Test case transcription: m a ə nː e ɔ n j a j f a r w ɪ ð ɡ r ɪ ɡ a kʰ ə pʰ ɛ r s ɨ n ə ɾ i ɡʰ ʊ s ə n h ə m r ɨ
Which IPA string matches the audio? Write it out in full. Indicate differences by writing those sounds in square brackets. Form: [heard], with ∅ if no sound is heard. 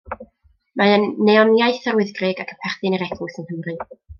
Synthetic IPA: m a ə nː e ɔ n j a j [θ] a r w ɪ ð ɡ r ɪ ɡ a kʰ ə pʰ ɛ r [θ] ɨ n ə ɾ [ɛ] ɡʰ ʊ s ə n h ə m r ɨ